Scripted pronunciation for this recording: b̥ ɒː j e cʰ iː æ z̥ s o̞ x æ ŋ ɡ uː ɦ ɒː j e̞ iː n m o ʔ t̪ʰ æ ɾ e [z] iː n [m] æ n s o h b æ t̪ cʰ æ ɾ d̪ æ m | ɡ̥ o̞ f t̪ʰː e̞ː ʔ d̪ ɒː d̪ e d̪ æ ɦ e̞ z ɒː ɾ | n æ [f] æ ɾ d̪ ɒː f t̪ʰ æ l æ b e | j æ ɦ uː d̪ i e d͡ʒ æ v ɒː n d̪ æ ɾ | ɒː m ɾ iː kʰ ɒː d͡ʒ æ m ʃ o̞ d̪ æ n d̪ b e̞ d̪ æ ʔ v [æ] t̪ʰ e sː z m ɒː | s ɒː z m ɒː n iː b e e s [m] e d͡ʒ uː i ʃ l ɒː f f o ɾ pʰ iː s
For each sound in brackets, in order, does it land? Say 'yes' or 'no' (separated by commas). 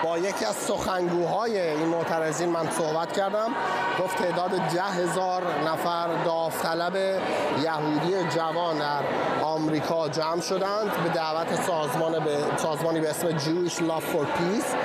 yes, yes, yes, yes, yes